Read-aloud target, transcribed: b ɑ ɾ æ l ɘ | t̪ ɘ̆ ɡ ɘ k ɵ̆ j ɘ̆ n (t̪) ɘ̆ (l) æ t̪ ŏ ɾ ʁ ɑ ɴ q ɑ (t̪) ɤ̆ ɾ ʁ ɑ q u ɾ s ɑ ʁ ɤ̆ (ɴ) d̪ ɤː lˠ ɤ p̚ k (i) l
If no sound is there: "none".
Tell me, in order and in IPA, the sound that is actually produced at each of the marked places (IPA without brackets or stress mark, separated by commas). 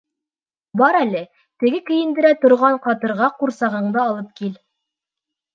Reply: d̪, ɾ, t̪, ɴ, i